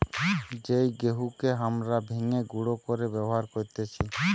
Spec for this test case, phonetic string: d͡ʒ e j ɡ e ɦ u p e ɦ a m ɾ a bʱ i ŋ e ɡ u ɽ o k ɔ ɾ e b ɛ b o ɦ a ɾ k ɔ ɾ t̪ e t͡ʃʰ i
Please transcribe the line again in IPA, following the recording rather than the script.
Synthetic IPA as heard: d͡ʒ e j ɡ e ɦ u k e ɦ a m ɾ a bʱ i ŋ e ɡ u ɽ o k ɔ ɾ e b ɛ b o ɦ a ɾ k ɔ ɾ t̪ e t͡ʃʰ i